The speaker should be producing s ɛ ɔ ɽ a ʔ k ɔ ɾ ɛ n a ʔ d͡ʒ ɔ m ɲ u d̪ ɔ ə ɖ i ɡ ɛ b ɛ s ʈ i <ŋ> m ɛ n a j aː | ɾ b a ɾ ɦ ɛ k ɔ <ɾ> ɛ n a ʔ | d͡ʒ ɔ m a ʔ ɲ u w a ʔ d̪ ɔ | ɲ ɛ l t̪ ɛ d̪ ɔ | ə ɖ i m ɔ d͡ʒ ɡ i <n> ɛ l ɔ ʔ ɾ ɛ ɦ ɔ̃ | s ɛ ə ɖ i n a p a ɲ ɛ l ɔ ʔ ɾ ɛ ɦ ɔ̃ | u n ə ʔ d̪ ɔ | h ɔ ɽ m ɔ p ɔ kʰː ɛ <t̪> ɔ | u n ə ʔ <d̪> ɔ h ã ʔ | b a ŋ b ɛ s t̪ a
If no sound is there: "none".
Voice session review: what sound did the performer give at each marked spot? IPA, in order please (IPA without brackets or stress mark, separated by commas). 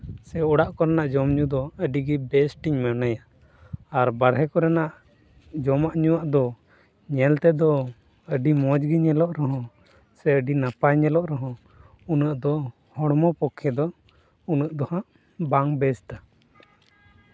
ɲ, ɾ, ɲ, d̪, d̪